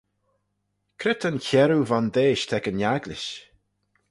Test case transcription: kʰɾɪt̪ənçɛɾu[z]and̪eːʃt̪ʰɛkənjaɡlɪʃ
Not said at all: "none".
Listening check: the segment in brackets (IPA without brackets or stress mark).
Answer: v